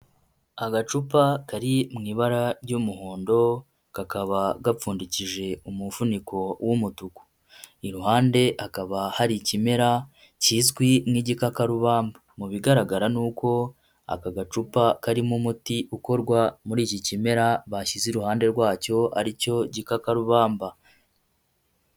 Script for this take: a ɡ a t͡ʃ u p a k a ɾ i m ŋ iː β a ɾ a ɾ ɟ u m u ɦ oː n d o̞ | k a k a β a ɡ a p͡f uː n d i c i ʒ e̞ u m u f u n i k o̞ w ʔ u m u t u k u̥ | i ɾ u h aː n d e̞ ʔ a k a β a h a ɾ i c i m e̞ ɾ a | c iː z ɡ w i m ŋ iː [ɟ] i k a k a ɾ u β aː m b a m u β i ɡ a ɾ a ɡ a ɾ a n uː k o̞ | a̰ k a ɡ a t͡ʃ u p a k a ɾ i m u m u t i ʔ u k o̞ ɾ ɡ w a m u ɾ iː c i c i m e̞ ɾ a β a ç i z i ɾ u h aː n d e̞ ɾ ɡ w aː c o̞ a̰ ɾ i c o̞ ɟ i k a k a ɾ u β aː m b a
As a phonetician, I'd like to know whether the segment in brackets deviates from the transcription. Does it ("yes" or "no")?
no